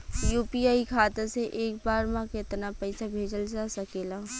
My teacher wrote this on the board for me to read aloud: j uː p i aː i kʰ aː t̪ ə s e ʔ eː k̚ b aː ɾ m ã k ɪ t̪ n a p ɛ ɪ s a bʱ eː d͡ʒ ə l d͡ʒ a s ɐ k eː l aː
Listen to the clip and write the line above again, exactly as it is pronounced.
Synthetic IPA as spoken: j uː p i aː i kʰ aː t̪ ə s e ʔ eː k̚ b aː ɾ m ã k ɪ t̪ n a p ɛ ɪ s a bʱ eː d͡ʒ ə l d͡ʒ a s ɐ k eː l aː